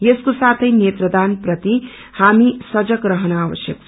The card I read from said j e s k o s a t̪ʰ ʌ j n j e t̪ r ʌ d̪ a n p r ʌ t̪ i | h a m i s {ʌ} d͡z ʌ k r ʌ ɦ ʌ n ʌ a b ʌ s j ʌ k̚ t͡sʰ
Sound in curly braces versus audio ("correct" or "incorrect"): correct